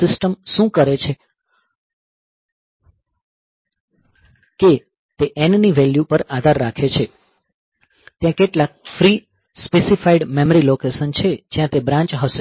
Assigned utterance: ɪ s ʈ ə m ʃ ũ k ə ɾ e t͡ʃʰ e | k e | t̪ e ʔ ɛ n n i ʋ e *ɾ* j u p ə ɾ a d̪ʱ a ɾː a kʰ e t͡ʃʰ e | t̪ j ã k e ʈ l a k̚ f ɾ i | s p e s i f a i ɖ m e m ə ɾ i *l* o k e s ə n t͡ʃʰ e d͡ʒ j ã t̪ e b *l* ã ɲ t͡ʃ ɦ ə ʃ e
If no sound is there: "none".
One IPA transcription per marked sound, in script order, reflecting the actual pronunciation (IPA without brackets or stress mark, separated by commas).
l, l, ɾ